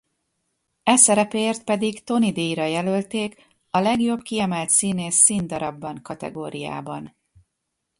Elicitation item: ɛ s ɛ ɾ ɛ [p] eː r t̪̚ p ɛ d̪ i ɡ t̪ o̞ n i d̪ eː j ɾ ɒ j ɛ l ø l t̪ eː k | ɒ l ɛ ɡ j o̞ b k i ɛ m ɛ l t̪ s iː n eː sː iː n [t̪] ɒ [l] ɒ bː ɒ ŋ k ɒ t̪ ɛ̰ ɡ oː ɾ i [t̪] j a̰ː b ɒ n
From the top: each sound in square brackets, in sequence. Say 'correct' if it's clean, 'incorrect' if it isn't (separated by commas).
correct, incorrect, incorrect, incorrect